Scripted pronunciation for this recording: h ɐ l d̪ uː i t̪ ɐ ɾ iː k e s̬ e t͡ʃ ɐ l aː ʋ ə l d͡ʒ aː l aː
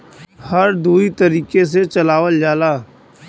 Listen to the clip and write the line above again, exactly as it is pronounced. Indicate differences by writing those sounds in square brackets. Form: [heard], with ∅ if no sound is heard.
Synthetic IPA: h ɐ [ɾ] d̪ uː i t̪ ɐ ɾ iː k e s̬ e t͡ʃ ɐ l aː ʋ ə l d͡ʒ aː l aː